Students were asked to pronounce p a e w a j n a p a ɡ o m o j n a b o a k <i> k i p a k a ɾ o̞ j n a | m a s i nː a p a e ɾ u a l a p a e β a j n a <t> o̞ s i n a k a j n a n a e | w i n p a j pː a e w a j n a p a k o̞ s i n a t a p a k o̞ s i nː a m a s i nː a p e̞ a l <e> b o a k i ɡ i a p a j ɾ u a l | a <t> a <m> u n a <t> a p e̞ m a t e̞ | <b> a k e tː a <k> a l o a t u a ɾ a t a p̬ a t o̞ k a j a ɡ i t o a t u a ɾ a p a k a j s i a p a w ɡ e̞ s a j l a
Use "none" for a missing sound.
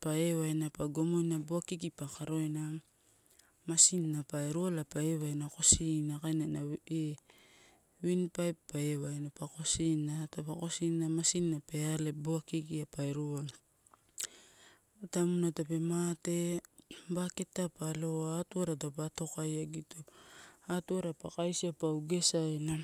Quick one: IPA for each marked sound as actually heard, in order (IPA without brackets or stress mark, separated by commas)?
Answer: i, k, e, t, m, t, b, p